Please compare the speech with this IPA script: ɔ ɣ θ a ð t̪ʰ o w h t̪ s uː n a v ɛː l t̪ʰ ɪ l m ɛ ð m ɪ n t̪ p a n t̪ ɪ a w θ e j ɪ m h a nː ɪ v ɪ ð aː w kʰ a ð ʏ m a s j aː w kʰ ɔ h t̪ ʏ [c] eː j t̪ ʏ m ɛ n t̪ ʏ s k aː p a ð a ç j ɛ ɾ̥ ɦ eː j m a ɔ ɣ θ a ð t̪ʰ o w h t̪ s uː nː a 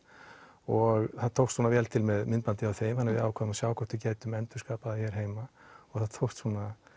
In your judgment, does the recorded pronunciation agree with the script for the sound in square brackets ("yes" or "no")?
yes